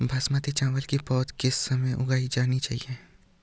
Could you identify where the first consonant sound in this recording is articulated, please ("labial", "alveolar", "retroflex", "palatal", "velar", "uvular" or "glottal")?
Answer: labial